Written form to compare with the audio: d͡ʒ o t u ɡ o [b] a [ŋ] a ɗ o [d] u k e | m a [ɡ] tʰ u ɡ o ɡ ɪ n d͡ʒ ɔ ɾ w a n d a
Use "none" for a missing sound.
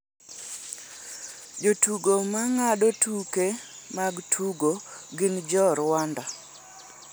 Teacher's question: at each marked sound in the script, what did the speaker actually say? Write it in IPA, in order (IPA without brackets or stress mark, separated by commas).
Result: m, ŋ, t, ɡ